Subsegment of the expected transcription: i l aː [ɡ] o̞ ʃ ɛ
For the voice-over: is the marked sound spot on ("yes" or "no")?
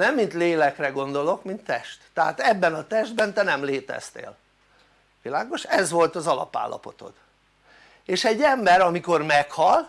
yes